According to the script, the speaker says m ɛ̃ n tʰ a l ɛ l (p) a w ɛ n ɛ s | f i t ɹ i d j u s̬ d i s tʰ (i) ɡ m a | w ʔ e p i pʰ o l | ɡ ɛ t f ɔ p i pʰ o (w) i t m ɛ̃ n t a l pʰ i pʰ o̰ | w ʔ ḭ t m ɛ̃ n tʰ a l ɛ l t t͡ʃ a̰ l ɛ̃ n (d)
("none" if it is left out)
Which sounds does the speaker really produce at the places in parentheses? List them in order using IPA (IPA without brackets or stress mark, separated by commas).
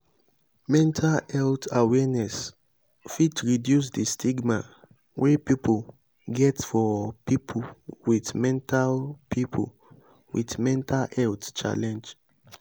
t, i, w, d͡ʒ